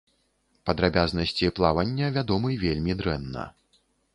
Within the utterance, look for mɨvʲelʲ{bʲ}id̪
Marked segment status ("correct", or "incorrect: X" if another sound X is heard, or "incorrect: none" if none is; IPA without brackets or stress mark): incorrect: mʲ